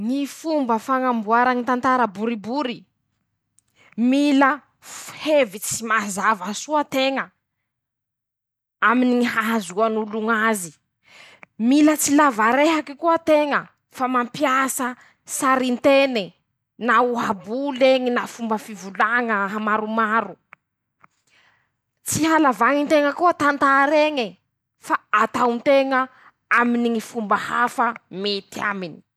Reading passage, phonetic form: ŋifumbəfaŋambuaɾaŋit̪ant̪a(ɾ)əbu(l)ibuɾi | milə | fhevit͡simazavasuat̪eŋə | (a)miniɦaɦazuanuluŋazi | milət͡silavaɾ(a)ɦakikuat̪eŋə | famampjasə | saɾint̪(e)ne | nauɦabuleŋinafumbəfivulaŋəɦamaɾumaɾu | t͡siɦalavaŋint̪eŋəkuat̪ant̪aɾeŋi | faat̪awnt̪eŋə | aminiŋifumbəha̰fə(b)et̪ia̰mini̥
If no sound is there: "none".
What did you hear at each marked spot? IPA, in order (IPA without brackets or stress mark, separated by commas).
ɾ, ɾ, a, e, e, m